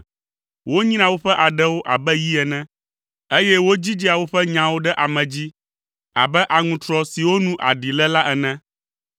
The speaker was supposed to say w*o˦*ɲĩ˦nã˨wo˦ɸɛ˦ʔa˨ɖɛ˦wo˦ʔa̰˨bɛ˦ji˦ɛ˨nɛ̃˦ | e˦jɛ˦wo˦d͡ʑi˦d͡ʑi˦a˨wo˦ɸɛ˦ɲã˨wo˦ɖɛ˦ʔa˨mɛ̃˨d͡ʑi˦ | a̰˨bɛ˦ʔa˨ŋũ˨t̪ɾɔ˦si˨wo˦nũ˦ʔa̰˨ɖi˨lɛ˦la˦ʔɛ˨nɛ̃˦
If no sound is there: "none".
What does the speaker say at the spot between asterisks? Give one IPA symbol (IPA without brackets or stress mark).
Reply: o˦